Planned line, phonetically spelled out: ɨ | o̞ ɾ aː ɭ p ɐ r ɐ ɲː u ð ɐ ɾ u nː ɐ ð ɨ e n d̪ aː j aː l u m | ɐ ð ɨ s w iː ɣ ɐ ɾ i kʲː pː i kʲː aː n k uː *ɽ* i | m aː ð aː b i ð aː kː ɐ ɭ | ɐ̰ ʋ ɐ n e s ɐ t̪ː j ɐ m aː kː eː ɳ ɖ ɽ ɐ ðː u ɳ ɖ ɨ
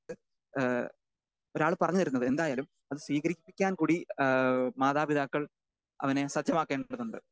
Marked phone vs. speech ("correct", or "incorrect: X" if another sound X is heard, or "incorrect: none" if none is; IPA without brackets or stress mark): correct